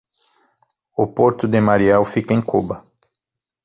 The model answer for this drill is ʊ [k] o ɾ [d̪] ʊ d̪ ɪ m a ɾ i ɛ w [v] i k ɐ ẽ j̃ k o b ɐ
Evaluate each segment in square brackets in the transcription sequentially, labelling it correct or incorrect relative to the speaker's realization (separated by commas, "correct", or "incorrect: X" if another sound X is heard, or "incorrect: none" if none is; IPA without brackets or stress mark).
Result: incorrect: p, incorrect: t̪, incorrect: f